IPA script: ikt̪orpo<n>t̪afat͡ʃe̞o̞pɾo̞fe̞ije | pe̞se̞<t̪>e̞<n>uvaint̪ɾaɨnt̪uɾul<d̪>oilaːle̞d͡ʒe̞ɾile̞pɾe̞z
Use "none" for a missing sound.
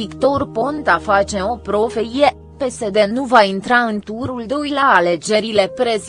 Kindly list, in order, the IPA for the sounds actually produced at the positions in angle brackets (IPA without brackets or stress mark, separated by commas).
n, d̪, n, d̪